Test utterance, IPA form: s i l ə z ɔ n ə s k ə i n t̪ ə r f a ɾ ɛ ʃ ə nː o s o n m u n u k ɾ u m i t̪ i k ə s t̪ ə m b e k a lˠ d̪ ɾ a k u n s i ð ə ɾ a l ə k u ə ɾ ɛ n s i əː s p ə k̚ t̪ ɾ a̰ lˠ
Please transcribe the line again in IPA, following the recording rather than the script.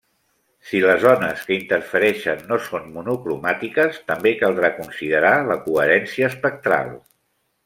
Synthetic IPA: s i l ə z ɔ n ə s k ə i n t̪ ə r f ə ɾ ɛ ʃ ə nː o s o n m u n u k ɾ u m a t̪ i k ə s t̪ ə m b e k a lˠ d̪ ɾ a k u n s i ð ə ɾ a l ə k u ə ɾ ɛ n s i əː s p ə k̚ t̪ ɾ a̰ lˠ